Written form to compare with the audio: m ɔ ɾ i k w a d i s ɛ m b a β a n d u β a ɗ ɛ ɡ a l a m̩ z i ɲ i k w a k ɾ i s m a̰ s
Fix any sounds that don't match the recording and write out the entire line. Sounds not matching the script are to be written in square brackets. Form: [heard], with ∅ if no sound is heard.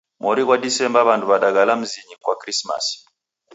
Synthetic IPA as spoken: m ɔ ɾ i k w a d i s ɛ m b a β a n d u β a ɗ [a] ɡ a l a m̩ z i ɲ i k w a k ɾ i s m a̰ s